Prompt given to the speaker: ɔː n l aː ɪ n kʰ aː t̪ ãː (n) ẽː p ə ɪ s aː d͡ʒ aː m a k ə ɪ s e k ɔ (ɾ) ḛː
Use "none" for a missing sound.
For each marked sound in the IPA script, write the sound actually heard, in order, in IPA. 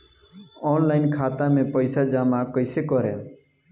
m, ɾ

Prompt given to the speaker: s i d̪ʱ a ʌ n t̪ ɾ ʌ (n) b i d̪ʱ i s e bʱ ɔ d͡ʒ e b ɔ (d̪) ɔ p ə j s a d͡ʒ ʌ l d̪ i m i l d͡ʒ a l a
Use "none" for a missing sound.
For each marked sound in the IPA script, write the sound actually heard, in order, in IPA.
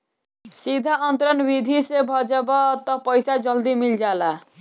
n, t̪

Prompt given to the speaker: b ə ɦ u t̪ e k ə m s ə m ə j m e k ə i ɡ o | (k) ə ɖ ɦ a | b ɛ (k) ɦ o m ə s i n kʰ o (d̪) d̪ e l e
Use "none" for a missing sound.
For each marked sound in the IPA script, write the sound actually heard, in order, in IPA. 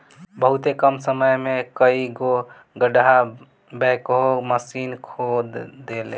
ɡ, k, d̪

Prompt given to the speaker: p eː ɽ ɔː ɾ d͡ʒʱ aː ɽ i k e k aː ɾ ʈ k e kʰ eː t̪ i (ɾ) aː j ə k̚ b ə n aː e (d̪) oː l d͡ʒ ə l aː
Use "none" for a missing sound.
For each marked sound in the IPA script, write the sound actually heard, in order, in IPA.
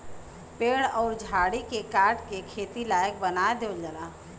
l, d̪

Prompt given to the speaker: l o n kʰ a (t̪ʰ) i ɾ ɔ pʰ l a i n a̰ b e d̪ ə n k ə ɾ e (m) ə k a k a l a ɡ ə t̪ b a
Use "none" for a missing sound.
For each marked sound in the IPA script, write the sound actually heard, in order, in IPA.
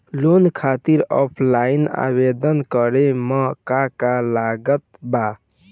t̪, m

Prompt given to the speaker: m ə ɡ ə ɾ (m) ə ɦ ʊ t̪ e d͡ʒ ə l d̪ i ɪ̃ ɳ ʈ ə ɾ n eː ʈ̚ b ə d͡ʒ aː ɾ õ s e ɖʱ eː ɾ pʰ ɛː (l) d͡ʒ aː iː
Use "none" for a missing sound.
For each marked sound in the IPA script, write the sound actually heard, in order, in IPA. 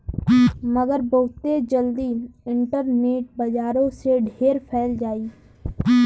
b, l

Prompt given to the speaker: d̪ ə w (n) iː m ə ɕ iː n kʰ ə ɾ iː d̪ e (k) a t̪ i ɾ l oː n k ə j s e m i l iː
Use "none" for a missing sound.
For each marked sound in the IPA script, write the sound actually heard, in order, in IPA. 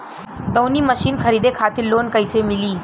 n, kʰ

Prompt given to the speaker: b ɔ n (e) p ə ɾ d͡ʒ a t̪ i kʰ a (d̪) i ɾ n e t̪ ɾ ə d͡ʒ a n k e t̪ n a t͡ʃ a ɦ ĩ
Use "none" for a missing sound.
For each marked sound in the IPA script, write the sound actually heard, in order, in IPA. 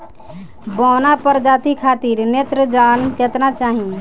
a, t̪

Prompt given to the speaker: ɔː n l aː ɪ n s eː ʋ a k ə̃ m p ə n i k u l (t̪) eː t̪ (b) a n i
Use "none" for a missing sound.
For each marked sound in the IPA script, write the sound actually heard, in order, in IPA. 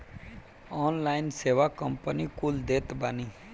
d̪, b

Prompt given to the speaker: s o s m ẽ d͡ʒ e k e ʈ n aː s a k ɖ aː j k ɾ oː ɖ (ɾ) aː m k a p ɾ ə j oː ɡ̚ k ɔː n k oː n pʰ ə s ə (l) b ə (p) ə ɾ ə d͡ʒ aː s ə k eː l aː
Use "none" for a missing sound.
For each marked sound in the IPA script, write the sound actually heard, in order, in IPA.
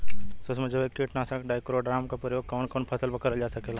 ɾ, l, k

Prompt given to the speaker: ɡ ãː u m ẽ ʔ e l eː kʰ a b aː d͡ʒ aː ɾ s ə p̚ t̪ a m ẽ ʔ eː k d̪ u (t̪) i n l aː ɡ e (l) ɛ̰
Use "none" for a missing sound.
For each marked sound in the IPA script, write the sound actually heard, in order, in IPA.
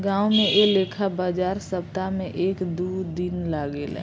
d̪, l

